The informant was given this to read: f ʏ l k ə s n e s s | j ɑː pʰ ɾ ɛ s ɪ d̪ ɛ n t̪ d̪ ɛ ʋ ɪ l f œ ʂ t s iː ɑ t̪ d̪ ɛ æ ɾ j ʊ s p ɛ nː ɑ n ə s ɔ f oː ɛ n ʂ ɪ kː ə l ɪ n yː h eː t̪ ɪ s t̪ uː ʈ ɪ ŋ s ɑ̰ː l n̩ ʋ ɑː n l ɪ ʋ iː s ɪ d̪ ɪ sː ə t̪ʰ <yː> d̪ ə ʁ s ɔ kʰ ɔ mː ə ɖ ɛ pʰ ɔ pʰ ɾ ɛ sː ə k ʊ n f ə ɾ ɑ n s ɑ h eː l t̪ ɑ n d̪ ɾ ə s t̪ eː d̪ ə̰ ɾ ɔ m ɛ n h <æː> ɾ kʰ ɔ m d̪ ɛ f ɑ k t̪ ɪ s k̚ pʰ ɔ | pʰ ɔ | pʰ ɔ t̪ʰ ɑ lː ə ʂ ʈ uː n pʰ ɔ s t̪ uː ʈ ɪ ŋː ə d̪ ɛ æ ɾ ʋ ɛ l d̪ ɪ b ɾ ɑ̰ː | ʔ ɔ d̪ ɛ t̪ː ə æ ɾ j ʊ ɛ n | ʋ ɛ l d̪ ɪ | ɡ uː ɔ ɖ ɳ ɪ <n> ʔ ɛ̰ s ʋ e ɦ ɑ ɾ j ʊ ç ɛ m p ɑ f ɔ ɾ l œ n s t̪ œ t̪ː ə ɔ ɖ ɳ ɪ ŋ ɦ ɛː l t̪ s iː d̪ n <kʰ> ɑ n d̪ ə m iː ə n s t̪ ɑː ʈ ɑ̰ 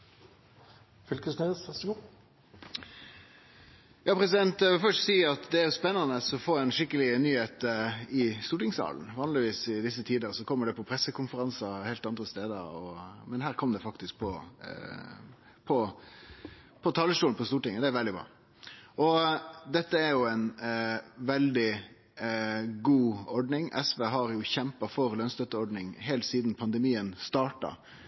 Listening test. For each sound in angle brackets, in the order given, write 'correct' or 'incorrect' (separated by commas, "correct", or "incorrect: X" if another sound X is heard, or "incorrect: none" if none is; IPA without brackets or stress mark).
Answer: incorrect: iː, correct, incorrect: ŋ, incorrect: pʰ